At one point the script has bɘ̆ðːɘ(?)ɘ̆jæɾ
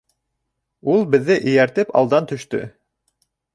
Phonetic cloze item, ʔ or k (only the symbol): ʔ